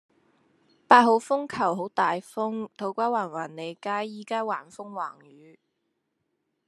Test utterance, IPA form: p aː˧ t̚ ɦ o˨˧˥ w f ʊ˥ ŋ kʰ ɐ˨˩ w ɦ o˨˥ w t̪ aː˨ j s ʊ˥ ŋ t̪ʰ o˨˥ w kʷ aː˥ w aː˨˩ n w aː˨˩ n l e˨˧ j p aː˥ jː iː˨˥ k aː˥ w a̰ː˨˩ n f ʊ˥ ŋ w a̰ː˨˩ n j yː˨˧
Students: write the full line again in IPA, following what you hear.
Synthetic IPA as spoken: p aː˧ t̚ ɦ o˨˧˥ w f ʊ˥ ŋ kʰ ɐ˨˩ w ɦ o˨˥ w t̪ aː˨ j f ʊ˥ ŋ t̪ʰ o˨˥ w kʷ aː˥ w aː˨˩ n w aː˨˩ n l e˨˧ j k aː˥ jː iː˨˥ k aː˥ w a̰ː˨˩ n f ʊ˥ ŋ w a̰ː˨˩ ŋ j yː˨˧